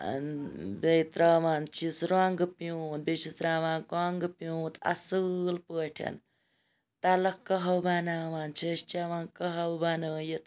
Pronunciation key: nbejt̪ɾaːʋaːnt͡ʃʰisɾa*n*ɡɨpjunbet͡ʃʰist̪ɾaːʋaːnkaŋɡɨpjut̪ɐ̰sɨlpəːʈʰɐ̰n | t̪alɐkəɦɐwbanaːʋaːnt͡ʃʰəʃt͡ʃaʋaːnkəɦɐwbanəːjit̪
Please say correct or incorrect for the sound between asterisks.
incorrect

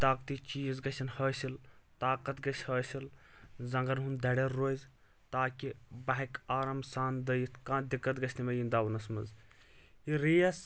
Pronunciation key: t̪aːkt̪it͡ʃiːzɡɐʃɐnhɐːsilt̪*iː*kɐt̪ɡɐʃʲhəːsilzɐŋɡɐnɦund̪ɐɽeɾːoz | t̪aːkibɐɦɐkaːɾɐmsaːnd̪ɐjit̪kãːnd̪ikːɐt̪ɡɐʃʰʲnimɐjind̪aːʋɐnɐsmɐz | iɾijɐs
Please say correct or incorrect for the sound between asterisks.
incorrect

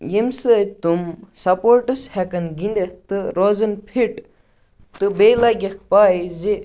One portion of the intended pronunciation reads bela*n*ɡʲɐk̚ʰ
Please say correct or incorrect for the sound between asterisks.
incorrect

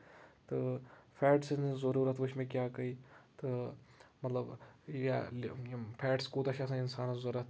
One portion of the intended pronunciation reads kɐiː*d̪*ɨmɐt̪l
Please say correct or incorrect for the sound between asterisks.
incorrect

